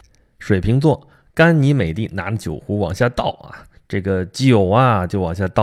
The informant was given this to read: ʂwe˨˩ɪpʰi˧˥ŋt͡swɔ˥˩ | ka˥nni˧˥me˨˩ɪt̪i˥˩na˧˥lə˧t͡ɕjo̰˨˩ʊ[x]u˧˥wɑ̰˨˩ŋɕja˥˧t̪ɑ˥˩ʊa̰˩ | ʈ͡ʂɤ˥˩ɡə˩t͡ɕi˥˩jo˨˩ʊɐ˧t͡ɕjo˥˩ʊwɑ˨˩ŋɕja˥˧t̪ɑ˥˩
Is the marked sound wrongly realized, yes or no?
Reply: no